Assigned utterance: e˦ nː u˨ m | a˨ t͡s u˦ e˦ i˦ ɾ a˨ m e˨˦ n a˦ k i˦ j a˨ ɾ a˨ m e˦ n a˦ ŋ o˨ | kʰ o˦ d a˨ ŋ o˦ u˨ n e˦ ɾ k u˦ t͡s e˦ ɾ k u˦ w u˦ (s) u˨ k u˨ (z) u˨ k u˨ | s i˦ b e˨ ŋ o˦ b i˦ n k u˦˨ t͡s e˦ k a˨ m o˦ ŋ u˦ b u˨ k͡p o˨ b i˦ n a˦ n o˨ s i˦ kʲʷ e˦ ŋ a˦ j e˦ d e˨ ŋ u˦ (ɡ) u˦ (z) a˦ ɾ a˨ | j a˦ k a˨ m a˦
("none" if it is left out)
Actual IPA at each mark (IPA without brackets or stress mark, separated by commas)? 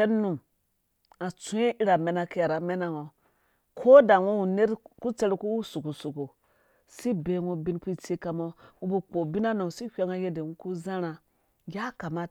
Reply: s, s, k, z